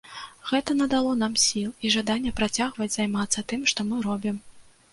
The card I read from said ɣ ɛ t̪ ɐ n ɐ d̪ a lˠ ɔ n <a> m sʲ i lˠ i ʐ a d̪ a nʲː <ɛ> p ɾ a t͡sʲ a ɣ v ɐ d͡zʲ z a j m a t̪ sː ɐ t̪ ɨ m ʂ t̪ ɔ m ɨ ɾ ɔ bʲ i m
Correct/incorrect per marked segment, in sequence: correct, correct

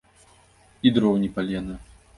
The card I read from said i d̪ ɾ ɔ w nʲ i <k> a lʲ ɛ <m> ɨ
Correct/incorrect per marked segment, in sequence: incorrect, incorrect

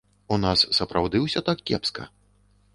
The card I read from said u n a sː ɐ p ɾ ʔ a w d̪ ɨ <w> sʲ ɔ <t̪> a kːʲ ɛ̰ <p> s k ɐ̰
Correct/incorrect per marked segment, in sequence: correct, correct, correct

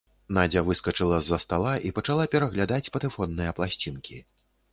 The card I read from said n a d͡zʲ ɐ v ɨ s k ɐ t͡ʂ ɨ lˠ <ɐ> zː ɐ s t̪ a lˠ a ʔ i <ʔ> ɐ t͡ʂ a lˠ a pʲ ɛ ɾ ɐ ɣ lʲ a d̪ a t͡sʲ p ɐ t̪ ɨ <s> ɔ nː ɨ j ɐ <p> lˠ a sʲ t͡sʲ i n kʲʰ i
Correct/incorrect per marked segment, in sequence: correct, incorrect, incorrect, correct

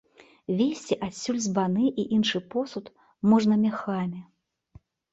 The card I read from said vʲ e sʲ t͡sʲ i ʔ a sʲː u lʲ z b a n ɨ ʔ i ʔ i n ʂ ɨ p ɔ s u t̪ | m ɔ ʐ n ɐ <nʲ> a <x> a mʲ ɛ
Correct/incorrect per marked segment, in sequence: incorrect, correct

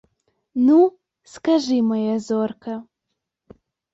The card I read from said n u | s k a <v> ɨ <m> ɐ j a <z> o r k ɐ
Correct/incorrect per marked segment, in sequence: incorrect, correct, correct

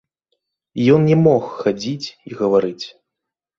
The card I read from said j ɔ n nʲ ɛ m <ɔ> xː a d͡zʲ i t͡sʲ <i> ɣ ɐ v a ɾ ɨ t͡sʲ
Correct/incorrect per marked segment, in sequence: correct, correct

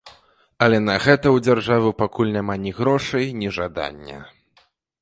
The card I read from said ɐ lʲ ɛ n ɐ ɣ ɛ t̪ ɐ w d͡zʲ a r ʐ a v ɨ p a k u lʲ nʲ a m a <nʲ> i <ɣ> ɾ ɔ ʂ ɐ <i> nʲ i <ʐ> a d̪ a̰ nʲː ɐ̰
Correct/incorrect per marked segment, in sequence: correct, correct, incorrect, correct

